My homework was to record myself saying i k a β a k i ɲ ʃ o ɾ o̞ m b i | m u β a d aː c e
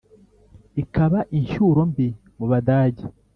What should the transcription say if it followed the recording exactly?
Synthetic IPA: i k a β a ʔ i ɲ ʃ u ɾ o̞ m b i | m u β a d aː ɟ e